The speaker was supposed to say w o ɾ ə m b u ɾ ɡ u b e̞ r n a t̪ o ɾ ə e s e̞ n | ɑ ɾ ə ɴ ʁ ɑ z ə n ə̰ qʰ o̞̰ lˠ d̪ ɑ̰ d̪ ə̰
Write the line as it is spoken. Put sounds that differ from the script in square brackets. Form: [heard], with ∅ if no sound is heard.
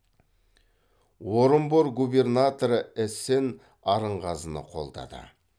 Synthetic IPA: w o ɾ ə m b [o] ɾ ɡ u b e̞ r n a t̪ o ɾ ə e s e̞ n | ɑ ɾ ə ɴ ʁ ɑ z ə n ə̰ qʰ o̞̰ lˠ d̪ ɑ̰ d̪ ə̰